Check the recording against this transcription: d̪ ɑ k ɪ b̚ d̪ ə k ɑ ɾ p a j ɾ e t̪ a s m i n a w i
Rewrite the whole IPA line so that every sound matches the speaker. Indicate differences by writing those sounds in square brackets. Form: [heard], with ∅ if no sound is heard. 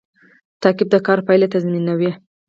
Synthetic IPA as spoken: [t̪] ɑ k ɪ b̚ d̪ ə k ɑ ɾ p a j [l] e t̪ a [z] m i n a w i

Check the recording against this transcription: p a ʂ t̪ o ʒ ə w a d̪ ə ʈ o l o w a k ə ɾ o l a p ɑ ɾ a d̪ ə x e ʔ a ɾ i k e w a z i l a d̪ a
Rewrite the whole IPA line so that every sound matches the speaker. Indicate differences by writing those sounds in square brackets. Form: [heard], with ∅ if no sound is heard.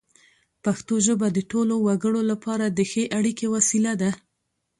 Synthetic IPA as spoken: p a [x] t̪ o ʒ ə [b] a d̪ ə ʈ o l o w a [ɡ] ə [ɽ] o l a p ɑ ɾ a d̪ ə x e ʔ a [ɽ] i k e w a [s] i l a d̪ a

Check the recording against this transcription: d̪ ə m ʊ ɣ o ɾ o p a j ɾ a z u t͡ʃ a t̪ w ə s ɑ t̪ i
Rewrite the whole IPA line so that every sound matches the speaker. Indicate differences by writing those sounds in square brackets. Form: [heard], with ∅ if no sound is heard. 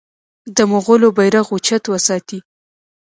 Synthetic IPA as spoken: d̪ ə m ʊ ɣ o [l] o [b] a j ɾ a [ɣ] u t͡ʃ a t̪ w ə s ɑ t̪ i

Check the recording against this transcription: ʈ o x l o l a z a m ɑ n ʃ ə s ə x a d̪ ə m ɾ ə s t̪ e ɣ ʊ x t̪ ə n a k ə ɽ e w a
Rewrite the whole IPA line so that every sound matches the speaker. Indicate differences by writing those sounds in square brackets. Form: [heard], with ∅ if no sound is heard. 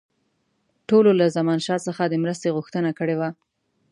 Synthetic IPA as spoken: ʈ o [∅] l o l a z a m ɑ n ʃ [ɑ] s ə x a d̪ ə m ɾ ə s t̪ e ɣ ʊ x t̪ ə n a k ə ɽ e w a

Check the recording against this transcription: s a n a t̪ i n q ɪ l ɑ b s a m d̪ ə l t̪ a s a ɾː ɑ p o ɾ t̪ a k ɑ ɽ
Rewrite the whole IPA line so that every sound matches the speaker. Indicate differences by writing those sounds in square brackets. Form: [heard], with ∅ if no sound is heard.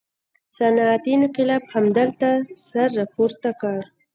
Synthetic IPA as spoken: s a n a t̪ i n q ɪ l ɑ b [h] a m d̪ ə l t̪ a s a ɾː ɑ p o ɾ t̪ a k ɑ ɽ

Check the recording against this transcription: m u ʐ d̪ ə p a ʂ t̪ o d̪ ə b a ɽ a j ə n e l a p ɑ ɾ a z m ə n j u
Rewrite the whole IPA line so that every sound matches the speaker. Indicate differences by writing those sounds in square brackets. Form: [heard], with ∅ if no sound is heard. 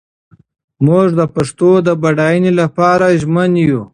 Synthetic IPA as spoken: m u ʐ d̪ ə p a ʂ t̪ o d̪ ə b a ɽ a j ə n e l a p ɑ ɾ a [ʒ] m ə n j u

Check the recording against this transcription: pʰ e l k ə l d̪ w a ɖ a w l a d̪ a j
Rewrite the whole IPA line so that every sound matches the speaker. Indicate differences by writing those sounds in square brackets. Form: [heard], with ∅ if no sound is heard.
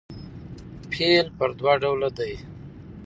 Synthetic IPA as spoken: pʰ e l [p] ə [ɾ] d̪ w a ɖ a w l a d̪ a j

